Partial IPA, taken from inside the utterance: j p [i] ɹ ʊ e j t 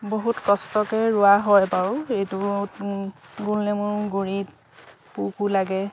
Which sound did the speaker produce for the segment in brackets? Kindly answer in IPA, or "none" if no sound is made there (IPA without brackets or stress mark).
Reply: a